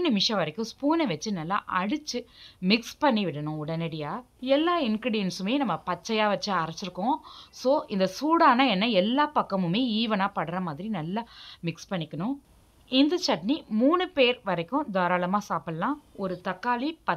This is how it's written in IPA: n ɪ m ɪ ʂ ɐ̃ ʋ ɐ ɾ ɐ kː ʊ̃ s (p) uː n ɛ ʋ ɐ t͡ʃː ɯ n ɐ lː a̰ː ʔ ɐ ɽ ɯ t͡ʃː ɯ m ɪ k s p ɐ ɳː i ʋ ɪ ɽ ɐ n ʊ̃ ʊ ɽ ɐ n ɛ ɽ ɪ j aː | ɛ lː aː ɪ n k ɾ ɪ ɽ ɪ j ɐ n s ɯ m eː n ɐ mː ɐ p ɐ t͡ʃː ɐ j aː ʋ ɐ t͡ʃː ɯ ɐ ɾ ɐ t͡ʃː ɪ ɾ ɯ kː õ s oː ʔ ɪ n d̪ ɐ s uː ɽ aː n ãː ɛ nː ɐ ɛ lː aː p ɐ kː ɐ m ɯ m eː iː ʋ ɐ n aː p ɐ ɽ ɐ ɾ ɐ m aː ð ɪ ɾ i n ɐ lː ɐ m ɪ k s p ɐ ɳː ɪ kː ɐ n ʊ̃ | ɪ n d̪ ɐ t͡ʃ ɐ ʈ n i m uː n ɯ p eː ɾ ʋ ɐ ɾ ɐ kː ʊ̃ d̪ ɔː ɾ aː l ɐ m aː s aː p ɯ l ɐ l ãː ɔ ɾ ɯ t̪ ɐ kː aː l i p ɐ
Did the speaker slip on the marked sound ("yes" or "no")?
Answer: no